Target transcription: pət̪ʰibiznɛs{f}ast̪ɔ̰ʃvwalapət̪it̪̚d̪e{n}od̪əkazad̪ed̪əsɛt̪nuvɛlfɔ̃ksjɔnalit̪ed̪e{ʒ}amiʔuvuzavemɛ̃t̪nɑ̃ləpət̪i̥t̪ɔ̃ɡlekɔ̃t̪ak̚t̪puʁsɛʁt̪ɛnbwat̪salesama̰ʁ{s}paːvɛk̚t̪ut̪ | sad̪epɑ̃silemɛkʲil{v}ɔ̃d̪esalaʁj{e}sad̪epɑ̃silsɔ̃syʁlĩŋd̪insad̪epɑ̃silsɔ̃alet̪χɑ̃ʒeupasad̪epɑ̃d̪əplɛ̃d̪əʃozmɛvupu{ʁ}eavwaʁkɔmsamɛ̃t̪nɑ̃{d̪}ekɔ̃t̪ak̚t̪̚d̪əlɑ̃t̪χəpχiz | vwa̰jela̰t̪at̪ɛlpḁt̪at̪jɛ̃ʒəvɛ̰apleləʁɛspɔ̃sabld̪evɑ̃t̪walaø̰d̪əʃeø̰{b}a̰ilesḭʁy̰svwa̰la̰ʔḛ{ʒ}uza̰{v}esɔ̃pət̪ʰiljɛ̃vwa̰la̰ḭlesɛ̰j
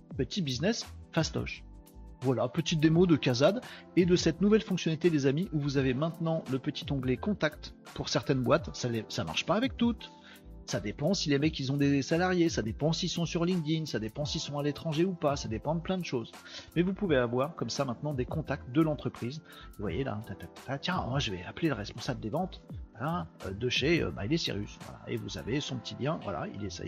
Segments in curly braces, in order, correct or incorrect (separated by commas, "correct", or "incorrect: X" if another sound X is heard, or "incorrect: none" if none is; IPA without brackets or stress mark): correct, incorrect: m, incorrect: z, incorrect: ʃ, incorrect: z, correct, incorrect: v, correct, correct, incorrect: v, correct